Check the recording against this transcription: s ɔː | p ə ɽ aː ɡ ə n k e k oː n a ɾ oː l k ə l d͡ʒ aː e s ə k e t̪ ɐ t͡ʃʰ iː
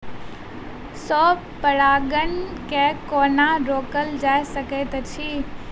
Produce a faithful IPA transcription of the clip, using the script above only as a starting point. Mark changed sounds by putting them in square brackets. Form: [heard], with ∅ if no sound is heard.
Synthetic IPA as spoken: s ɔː | p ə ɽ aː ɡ ə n k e k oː n a ɾ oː [∅] k ə l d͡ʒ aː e s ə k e t̪ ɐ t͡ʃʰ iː